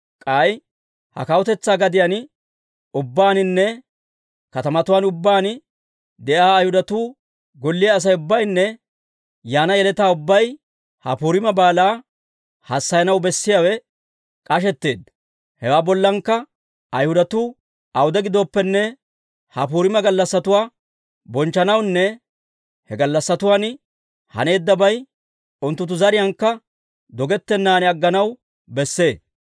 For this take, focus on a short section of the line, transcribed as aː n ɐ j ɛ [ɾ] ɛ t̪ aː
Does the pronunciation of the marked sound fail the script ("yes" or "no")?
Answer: yes